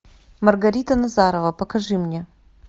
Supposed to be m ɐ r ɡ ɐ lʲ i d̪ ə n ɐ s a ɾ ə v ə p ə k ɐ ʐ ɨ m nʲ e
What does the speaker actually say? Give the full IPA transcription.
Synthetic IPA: m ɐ r ɡ ɐ ɾʲ i t̪ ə n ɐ z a ɾ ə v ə p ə k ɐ ʐ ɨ m nʲ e

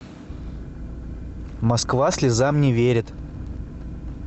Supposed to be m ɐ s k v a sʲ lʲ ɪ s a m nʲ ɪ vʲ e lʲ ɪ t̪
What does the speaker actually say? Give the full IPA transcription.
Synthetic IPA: m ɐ s k v a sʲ lʲ ɪ z a m nʲ ɪ vʲ e ɾʲ ɪ t̪

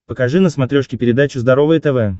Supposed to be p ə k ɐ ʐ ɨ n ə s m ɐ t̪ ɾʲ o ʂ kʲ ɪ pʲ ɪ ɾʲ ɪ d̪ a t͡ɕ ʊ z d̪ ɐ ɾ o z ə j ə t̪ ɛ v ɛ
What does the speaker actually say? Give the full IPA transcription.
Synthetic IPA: p ə k ɐ ʐ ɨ n ə s m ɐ t̪ ɾʲ o ʂ kʲ ɪ pʲ ɪ ɾʲ ɪ d̪ a t͡ɕ ʊ z d̪ ɐ ɾ o v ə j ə t̪ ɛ v ɛ

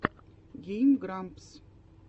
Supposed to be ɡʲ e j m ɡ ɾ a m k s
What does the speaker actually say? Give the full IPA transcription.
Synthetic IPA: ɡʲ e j m ɡ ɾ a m p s

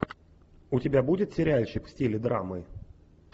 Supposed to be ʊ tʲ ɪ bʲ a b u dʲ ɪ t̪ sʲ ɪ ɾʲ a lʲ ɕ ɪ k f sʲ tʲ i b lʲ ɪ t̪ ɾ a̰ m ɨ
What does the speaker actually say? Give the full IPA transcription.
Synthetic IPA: ʊ tʲ ɪ bʲ a b u dʲ ɪ t̪ sʲ ɪ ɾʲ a lʲ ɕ ɪ k f sʲ tʲ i lʲ ɪ d̪ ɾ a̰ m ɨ

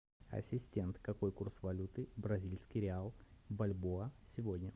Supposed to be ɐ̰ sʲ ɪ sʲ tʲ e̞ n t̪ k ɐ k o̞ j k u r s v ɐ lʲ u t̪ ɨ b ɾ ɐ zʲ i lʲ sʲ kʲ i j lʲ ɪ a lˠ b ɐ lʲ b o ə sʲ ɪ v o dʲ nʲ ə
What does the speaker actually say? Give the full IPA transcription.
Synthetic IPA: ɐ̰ sʲ ɪ sʲ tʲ e̞ n t̪ k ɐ k o̞ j k u r s v ɐ lʲ u t̪ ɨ b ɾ ɐ zʲ i lʲ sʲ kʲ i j ɾʲ ɪ a lˠ b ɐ lʲ b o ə sʲ ɪ v o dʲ nʲ ə

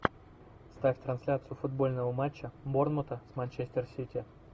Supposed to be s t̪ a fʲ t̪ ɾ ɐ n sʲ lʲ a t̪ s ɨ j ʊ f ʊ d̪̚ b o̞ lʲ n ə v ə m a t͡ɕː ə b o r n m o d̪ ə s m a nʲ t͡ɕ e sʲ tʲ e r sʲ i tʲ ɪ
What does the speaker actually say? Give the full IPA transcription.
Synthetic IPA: s t̪ a fʲ t̪ ɾ ɐ n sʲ lʲ a t̪ s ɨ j ʊ f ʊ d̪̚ b o̞ lʲ n ə v ə m a t͡ɕː ə b o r n m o t̪ ə s m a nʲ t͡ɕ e sʲ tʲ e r sʲ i tʲ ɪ

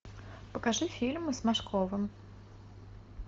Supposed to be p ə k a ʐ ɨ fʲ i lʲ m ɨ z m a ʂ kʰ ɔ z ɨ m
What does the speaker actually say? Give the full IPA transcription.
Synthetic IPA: p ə k a ʐ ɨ fʲ i lʲ m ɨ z m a ʂ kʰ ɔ v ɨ m

